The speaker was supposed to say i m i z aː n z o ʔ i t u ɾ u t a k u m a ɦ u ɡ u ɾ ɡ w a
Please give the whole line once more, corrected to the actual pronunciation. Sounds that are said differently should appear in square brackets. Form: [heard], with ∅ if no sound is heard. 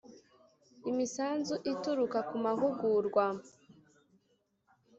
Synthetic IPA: i m i [s] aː n z [u] ʔ i t u ɾ u [k] a k u m a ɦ u ɡ u ɾ ɡ w a